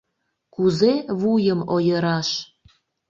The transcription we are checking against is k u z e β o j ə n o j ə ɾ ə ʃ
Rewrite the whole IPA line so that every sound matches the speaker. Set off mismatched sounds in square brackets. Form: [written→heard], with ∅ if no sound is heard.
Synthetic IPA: k u z e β [o→u] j ə [n→m] o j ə ɾ [ə→ɑ] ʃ